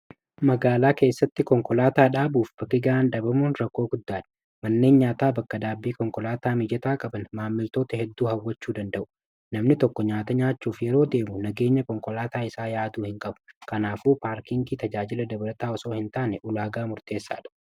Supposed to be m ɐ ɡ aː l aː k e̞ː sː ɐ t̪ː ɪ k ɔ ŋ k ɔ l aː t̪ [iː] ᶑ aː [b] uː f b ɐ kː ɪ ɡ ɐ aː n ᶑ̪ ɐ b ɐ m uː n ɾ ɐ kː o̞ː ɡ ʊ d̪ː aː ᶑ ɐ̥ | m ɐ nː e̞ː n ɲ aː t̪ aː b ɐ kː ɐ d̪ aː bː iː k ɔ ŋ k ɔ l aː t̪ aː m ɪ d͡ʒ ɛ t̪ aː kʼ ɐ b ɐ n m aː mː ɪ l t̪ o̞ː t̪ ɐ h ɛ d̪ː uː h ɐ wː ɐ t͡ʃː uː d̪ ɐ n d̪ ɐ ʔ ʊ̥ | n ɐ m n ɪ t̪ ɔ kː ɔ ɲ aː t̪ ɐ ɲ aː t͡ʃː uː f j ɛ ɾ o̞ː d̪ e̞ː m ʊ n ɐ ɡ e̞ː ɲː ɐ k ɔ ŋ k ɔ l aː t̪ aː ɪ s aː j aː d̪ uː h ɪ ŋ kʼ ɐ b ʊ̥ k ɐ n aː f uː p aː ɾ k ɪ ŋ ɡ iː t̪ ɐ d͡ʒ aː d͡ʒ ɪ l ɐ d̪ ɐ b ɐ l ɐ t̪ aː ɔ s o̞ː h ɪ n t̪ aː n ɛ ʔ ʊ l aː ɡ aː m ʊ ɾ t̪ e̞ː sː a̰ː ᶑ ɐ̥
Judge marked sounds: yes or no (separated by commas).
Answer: no, yes